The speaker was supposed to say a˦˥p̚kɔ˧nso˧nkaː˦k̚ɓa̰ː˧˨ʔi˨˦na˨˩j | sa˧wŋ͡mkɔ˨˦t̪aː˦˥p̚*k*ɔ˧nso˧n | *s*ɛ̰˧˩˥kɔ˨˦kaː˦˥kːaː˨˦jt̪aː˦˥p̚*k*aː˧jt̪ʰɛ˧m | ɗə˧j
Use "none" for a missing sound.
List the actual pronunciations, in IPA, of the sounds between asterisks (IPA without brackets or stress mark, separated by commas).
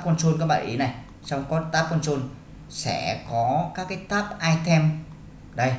k, s, ʔ